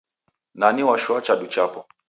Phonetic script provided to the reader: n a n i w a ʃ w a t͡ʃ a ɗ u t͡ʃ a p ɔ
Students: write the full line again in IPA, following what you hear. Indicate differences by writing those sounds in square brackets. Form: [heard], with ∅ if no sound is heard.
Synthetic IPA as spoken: n a n i w a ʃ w a t͡ʃ a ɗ u t͡ʃ a p ɔ